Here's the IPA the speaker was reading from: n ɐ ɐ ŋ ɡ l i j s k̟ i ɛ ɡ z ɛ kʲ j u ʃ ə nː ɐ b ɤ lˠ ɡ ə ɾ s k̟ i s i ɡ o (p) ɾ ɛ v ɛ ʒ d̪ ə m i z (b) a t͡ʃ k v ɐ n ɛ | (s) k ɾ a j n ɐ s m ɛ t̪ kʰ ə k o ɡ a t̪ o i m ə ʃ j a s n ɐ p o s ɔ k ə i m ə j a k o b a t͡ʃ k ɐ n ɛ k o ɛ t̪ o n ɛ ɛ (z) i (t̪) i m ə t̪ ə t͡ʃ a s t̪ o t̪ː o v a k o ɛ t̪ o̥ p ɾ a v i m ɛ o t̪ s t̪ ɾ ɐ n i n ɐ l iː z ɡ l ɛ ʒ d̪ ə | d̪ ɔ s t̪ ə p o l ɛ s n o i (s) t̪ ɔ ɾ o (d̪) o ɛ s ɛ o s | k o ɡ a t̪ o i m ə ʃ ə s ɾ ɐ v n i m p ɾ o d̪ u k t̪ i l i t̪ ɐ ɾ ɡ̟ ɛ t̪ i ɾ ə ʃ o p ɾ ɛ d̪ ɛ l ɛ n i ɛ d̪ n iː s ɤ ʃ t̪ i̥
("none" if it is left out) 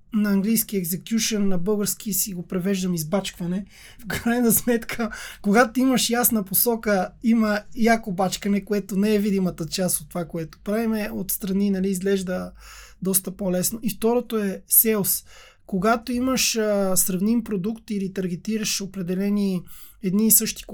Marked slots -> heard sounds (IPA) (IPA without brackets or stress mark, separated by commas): p, b, f, v, d̪, f, t̪